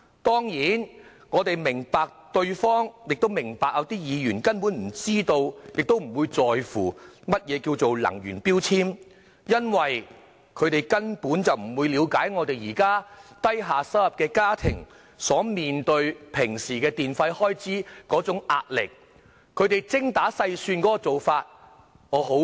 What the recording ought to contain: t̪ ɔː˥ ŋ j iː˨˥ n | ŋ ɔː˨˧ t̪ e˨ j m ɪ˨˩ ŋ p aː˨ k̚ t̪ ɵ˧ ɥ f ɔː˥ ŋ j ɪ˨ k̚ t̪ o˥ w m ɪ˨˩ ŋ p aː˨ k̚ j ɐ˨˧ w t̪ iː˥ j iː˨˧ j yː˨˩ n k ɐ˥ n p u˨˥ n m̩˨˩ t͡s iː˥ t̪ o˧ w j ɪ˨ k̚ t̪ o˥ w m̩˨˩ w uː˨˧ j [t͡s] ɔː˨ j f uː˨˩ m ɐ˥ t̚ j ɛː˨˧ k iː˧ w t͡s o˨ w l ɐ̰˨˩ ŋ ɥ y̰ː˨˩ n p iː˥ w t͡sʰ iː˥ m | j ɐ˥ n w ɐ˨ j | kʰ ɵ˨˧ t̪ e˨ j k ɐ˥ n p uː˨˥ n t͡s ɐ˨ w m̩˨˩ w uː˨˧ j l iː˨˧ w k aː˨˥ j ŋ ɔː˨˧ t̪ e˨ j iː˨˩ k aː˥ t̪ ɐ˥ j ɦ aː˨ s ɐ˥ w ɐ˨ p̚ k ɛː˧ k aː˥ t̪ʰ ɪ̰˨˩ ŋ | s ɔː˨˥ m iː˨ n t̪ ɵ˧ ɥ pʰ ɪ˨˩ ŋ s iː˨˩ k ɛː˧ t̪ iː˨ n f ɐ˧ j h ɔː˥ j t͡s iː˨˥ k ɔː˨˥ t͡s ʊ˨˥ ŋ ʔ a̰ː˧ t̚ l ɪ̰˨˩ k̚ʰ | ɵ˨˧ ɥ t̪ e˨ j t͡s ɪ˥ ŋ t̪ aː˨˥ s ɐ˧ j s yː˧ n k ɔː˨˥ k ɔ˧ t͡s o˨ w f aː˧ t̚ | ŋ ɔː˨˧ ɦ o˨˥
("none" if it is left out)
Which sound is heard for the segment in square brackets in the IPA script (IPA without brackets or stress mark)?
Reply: t͡s